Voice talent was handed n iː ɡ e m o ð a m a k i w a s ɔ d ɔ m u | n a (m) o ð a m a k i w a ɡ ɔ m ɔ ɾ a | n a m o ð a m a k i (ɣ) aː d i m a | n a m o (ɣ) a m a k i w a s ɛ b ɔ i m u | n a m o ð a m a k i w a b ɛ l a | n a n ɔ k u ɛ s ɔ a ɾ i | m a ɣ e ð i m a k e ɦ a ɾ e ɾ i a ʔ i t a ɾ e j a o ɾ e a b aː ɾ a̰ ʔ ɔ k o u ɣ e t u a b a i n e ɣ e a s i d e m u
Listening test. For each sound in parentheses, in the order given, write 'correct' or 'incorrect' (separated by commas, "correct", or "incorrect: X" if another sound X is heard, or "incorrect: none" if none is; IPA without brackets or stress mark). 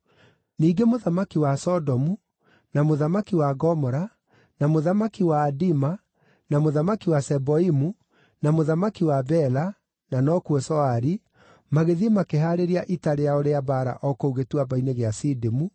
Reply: correct, incorrect: w, incorrect: ð